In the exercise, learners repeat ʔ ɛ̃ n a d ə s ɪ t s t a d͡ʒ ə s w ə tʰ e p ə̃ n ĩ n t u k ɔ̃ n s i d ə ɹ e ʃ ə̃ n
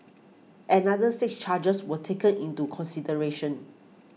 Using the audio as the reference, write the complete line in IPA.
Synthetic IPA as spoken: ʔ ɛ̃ n a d ə s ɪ k s t͡ʃ a d͡ʒ ə s w ə tʰ e k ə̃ n ĩ n t u kʰ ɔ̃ n s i d ə ɹ e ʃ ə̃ n